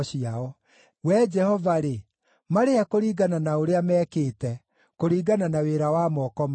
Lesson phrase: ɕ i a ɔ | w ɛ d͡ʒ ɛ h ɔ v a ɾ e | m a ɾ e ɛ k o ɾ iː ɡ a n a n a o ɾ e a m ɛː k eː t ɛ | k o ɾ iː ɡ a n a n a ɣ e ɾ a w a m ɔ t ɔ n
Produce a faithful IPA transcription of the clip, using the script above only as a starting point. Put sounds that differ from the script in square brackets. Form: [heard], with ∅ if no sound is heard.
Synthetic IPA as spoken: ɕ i a ɔ | w ɛ d͡ʒ ɛ h ɔ v a ɾ e | m a ɾ e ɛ k o ɾ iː ɡ a n a n a o ɾ e a m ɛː k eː t ɛ | k o ɾ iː ɡ a n a n a [w] e ɾ a w a m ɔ [k] ɔ [m]